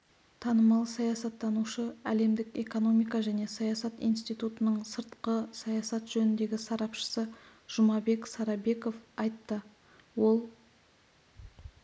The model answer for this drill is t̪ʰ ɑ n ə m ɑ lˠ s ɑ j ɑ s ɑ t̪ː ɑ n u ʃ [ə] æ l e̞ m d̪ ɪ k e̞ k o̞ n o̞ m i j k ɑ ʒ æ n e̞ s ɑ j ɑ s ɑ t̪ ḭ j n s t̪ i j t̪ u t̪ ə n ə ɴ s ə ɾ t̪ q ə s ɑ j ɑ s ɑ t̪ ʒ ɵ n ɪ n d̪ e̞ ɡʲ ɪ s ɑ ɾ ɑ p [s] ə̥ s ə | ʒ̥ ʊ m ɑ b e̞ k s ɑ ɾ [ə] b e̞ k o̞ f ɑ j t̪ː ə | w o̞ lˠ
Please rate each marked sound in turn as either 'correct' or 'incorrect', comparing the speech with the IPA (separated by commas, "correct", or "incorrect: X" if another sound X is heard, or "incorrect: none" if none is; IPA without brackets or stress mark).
correct, incorrect: ʃ, incorrect: ɑ